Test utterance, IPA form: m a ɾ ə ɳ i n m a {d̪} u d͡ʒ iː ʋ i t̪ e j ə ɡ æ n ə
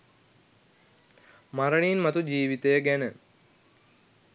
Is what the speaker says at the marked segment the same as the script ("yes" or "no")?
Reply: no